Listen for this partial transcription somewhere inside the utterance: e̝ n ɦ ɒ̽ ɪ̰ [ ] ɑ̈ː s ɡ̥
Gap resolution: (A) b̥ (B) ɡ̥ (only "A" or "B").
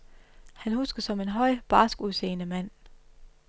A